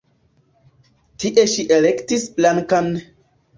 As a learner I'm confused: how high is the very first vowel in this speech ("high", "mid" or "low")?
high